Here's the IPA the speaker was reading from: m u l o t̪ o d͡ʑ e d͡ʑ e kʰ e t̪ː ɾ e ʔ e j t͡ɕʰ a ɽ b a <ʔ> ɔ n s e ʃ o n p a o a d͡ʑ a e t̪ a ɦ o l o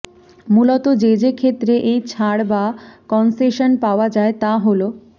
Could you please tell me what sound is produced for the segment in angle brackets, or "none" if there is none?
k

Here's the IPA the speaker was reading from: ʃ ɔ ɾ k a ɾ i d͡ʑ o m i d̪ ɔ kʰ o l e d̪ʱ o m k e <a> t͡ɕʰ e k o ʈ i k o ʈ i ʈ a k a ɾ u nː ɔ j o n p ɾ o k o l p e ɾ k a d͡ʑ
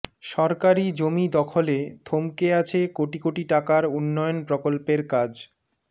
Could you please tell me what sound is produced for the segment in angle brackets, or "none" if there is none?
a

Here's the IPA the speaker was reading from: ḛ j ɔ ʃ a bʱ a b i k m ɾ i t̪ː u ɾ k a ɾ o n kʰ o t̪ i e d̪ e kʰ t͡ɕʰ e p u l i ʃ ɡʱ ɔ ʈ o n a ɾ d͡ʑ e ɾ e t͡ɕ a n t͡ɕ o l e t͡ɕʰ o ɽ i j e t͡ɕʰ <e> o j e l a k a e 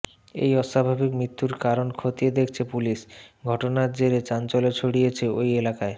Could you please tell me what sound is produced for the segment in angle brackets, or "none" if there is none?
e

